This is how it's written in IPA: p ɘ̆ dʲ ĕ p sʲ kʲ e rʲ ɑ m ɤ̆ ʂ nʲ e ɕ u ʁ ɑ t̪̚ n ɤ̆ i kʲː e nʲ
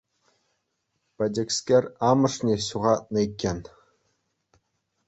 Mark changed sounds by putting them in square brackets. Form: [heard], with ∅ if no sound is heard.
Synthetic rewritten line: p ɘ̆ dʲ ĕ [k] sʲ kʲ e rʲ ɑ m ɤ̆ ʂ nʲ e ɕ u ʁ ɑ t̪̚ n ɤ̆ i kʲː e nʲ

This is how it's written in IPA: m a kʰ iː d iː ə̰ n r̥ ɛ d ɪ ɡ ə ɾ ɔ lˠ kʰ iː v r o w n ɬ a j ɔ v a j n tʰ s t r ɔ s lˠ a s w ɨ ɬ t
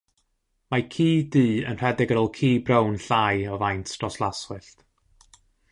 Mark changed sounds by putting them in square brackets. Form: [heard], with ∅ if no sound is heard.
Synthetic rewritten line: m a kʰ iː d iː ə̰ n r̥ ɛ d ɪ ɡ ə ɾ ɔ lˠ kʰ iː [b] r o w n ɬ a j ɔ v a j n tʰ s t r ɔ s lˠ a s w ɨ ɬ t

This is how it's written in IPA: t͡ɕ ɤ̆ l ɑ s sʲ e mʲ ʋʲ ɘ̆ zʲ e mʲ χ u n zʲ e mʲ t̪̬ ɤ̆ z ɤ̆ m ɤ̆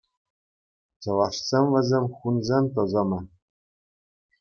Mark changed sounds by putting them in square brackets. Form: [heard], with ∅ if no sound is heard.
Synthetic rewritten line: t͡ɕ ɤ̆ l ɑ [ʂ] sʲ e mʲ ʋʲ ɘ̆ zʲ e mʲ χ u n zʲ e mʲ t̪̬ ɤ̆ z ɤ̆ m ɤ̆

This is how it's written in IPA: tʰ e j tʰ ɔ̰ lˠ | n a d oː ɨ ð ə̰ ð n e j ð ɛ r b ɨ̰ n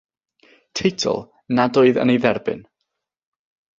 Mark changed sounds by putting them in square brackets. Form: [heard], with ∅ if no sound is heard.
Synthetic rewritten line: tʰ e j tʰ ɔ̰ lˠ | n a d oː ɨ ð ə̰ [∅] n e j ð ɛ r b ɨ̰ n

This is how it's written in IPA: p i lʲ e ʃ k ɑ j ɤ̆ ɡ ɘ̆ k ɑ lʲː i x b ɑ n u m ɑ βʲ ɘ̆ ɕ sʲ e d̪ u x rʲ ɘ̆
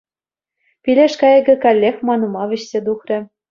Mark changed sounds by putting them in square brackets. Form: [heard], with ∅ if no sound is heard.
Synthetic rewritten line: p i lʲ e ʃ k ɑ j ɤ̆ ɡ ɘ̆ k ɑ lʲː [e] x [m] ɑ n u m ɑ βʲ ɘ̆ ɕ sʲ e d̪ u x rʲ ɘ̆

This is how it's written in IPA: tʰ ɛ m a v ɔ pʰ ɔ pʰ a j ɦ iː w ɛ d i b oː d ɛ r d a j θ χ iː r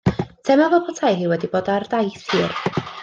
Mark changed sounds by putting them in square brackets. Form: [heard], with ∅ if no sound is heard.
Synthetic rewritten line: tʰ ɛ m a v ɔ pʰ ɔ [tʰ] a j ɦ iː w ɛ d i b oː d [a] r d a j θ [h] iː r

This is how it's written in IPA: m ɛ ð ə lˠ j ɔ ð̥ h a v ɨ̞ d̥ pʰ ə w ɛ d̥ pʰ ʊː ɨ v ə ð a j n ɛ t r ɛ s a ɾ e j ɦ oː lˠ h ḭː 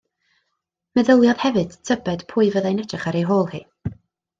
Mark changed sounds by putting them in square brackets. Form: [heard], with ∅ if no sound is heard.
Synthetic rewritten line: m ɛ ð ə lˠ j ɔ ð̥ h [ɛ] v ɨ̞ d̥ [tʰ] ə [b] ɛ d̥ pʰ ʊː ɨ v ə ð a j n ɛ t r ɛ [χ] a ɾ e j ɦ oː lˠ h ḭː

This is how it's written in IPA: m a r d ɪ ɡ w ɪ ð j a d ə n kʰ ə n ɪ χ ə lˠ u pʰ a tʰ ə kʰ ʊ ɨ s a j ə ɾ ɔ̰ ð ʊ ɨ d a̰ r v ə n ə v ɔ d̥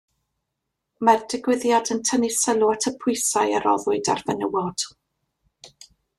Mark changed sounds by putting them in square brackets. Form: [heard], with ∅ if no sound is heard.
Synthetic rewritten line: m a r d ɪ ɡ w ɪ ð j a d ə n [tʰ] ə n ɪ [s] ə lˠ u [∅] a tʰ ə [pʰ] ʊ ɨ s a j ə ɾ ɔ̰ ð ʊ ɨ d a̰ r v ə n ə [w] ɔ d̥

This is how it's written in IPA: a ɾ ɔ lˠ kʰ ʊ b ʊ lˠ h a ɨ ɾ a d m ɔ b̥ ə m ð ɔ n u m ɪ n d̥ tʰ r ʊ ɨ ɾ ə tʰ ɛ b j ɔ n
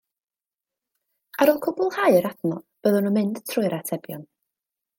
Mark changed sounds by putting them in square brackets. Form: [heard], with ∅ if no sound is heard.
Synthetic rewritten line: a ɾ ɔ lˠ kʰ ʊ b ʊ lˠ h a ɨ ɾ a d [n] ɔ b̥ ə [∅] ð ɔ n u m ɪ n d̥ tʰ r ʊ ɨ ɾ [a] tʰ ɛ b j ɔ n

